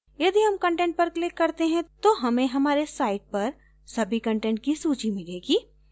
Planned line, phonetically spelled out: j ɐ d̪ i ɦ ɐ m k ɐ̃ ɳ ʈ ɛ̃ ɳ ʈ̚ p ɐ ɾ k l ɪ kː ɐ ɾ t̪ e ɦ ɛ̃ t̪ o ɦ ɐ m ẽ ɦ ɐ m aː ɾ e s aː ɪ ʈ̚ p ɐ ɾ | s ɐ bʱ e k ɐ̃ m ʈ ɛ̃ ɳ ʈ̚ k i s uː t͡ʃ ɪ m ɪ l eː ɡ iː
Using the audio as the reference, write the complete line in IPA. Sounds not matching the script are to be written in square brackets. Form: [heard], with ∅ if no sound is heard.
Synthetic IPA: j ɐ d̪ i ɦ ɐ m k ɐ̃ ɳ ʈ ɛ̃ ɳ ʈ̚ p ɐ ɾ k l ɪ kː ɐ ɾ t̪ e ɦ ɛ̃ t̪ o ɦ ɐ m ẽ ɦ ɐ m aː ɾ e s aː ɪ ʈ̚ p ɐ ɾ | s ɐ bʱ [i] k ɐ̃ [ɳ] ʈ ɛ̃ ɳ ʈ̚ k i s uː t͡ʃ [i] m ɪ l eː ɡ iː